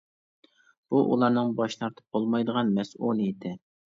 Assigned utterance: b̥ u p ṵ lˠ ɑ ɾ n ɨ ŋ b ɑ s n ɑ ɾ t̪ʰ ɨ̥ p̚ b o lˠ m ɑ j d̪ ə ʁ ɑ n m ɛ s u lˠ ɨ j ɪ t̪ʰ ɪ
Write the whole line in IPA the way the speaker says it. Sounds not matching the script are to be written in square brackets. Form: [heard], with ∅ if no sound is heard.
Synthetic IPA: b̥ u [ʔ] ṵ lˠ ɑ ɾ n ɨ ŋ b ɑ [ʃ] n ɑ ɾ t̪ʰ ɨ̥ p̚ b o lˠ m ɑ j d̪ ə ʁ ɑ n m ɛ s u lˠ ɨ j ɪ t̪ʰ ɪ